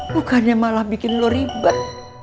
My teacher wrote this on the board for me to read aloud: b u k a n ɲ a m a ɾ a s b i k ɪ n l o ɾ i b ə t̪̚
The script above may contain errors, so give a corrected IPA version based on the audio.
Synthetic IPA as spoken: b u k a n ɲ a m a l a h b i k ɪ n l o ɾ i b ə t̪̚